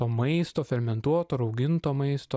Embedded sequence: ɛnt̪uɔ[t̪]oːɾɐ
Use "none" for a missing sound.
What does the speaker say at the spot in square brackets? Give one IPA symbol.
t̪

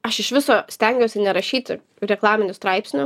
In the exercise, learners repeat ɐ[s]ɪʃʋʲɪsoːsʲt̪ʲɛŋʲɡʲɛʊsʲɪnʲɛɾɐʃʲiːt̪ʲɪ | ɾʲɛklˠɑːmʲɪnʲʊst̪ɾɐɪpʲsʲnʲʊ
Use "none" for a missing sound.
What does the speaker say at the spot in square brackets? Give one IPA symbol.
ʃ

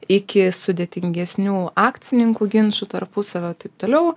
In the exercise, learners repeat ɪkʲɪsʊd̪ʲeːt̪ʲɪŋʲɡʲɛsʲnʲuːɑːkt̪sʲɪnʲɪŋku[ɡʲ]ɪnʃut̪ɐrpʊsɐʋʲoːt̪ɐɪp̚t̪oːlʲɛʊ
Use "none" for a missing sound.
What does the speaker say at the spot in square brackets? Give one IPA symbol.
ɡʲ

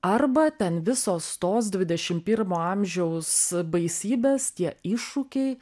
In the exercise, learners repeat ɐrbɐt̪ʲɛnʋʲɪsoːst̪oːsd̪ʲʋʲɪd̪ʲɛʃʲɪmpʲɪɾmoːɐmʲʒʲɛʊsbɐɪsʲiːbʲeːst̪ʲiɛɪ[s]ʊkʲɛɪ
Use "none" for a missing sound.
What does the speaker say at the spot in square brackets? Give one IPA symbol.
ʃ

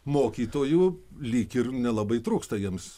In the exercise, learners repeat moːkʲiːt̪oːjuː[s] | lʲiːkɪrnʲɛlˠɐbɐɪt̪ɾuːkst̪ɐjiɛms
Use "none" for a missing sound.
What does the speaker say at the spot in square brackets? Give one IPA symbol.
none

